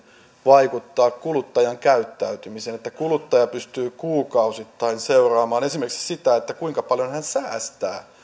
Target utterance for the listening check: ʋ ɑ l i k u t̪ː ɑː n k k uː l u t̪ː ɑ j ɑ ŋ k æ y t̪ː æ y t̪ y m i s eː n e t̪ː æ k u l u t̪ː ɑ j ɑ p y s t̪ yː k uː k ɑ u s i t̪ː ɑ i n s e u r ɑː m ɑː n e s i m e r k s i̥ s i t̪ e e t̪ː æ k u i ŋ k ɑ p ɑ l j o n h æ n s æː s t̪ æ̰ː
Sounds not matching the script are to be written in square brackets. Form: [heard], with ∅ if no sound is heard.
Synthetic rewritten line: ʋ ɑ [∅] i k u t̪ː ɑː [∅] k k [u] l u t̪ː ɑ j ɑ ŋ k æ y t̪ː æ y t̪ y m i s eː n e t̪ː æ k u l u t̪ː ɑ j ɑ p y s t̪ yː k uː k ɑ u s i t̪ː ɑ i n s e u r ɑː m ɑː n e s i m e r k s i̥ s i t̪ [æ] e t̪ː æ k u i ŋ k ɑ p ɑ l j o n h æ n s æː s t̪ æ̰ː